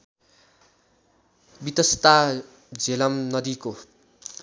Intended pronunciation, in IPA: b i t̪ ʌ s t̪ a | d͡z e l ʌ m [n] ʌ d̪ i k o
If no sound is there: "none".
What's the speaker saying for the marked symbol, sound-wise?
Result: n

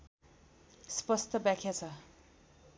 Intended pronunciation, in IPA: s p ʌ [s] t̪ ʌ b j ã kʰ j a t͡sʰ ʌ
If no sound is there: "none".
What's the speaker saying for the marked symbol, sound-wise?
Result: s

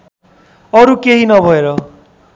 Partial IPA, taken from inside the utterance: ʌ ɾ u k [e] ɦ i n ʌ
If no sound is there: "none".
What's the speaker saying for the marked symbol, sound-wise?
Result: e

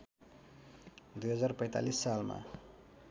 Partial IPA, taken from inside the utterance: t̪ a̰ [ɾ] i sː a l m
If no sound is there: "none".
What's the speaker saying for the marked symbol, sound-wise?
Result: l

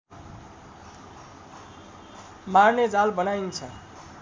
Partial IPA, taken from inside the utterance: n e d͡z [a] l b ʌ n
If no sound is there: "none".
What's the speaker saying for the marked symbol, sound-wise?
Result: a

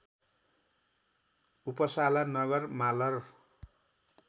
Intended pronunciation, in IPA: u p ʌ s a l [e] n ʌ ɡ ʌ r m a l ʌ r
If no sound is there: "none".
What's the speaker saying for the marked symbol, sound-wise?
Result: a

